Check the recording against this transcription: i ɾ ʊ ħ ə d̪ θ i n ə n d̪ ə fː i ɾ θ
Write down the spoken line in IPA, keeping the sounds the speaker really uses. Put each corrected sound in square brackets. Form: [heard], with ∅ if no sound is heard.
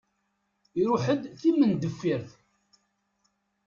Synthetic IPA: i ɾ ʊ ħ ə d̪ θ i [m] ə n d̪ ə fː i ɾ θ